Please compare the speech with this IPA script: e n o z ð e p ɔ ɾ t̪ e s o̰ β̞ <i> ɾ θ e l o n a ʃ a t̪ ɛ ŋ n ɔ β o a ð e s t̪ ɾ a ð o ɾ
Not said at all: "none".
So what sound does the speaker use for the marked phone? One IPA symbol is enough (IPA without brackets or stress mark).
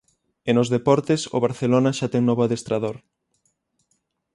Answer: a